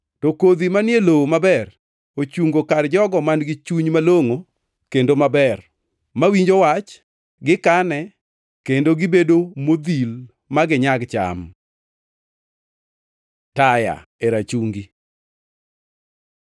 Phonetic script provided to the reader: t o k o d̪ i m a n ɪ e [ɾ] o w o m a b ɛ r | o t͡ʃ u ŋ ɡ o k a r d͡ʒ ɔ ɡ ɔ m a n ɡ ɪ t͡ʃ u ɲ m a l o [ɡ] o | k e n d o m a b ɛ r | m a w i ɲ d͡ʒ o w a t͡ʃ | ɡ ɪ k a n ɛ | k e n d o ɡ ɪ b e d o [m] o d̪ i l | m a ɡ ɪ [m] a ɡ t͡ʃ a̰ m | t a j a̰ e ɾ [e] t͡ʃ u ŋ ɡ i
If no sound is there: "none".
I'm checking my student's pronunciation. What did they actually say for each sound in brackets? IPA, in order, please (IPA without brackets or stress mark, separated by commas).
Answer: l, ŋ, m, ɲ, a